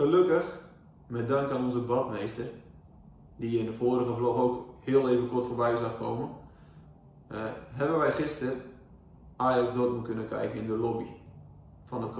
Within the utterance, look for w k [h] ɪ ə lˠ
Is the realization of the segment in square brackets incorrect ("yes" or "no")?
no